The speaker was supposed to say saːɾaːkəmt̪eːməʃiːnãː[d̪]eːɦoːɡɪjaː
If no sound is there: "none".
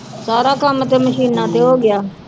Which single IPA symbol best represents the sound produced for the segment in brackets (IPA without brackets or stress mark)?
t̪